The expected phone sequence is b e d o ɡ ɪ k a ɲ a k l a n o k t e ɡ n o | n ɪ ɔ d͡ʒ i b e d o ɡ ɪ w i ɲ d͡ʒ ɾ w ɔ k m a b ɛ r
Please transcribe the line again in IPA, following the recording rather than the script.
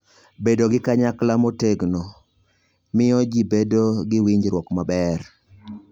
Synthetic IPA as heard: b e d o ɡ ɪ k a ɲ a k l a m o t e ɡ n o | m ɪ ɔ d͡ʒ i b e d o ɡ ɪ w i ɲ d͡ʒ ɾ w ɔ k m a b ɛ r

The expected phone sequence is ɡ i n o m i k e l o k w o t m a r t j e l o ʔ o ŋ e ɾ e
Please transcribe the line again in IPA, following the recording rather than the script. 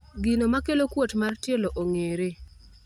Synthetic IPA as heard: ɡ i n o m a k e l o k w o t m a r t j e l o ʔ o ŋ e ɾ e

